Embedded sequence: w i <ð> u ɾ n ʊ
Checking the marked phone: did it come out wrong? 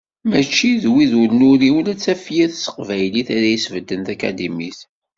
no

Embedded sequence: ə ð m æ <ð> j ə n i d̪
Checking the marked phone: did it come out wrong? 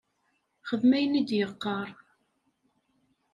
yes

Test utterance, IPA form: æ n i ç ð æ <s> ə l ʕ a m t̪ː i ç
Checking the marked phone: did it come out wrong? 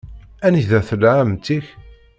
yes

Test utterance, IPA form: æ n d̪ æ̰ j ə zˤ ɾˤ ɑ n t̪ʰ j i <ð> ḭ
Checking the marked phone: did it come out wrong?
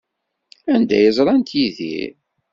no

